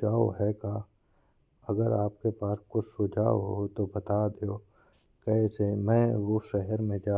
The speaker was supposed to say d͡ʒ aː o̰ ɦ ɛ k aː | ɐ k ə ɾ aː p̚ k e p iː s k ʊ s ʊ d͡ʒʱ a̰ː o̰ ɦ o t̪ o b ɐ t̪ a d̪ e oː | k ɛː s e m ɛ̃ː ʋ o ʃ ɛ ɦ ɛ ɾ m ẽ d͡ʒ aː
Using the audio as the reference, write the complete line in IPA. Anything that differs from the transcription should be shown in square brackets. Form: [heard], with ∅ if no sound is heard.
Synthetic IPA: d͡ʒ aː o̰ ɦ ɛ k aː | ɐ [ɡ] ə ɾ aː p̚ k e p [aː] s k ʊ s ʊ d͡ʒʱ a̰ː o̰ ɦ o t̪ o b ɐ t̪ a d̪ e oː | k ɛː s e m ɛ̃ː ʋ o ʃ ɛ ɦ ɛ ɾ m ẽ d͡ʒ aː